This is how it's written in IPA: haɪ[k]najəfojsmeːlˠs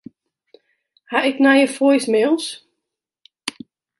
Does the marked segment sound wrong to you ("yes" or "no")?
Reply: no